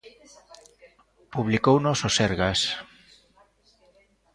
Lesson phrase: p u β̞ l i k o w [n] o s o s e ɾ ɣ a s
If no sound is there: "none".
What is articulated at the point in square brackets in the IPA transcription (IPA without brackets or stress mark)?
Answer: n